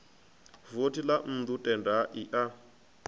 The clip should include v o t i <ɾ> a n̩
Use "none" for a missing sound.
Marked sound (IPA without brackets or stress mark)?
l